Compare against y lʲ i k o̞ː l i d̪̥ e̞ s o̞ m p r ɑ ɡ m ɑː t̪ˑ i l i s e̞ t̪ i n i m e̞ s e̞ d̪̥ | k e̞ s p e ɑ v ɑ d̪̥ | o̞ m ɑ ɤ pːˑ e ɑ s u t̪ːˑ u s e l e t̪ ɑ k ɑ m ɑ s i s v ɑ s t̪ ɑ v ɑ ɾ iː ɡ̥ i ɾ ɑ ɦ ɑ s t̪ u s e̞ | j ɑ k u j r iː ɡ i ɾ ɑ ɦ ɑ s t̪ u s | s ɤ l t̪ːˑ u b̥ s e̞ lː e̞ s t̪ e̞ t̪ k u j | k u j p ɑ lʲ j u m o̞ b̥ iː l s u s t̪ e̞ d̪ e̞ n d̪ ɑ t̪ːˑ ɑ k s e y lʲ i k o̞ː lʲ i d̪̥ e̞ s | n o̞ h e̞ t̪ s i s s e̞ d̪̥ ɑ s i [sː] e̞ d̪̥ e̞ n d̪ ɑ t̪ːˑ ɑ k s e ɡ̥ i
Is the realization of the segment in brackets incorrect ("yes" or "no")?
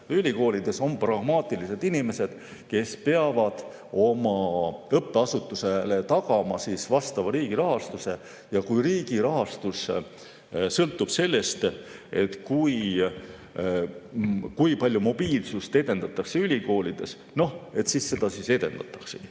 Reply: yes